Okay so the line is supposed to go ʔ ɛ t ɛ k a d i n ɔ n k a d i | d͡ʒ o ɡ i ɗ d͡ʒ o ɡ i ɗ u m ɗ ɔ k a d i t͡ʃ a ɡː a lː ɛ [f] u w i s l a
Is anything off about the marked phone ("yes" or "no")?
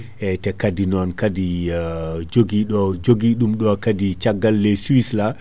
yes